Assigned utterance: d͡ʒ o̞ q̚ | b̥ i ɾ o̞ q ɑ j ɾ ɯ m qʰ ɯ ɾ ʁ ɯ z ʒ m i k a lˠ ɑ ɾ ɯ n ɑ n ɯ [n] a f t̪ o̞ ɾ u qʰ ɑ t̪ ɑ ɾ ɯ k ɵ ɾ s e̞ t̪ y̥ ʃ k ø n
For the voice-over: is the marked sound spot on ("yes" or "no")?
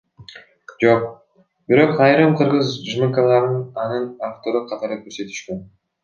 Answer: yes